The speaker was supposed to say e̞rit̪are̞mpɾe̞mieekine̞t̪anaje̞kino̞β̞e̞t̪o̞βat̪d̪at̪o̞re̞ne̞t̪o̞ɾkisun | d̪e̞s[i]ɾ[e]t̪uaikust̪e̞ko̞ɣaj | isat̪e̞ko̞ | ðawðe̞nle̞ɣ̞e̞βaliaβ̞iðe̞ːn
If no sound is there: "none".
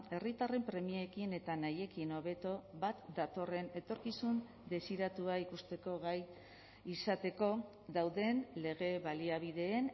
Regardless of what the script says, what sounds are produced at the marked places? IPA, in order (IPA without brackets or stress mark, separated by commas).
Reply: i, a